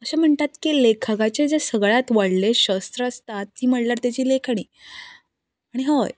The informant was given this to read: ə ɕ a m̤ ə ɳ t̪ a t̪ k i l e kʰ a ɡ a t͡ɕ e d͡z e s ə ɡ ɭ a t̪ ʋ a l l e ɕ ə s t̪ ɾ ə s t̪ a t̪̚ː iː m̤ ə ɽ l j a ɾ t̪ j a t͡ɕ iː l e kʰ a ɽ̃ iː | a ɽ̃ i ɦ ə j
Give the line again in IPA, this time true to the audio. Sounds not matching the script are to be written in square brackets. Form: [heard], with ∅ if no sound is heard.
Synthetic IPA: ə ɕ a m̤ ə ɳ t̪ a t̪ k i l e kʰ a ɡ a t͡ɕ e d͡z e s ə ɡ ɭ a t̪ ʋ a [ɽ] l e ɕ ə s t̪ ɾ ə s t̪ a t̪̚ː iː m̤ ə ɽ l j a ɾ t̪ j a t͡ɕ iː l e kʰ a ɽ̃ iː | a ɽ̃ i ɦ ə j